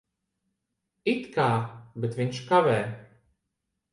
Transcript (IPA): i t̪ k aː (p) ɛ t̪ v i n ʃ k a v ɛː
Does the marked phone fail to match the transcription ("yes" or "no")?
yes